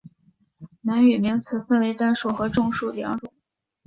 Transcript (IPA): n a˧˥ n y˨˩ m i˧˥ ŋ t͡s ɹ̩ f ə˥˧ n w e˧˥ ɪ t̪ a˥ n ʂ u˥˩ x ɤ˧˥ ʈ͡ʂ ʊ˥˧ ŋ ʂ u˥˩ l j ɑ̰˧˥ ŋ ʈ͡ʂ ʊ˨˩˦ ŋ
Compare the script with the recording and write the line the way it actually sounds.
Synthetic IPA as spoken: n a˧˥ n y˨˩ m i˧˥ ŋ t͡sʰ ɹ̩ f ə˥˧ n w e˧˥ ɪ t̪ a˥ n ʂ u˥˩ x ɤ˧˥ ʈ͡ʂ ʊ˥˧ ŋ ʂ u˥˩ l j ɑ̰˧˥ ŋ ʈ͡ʂ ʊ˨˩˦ ŋ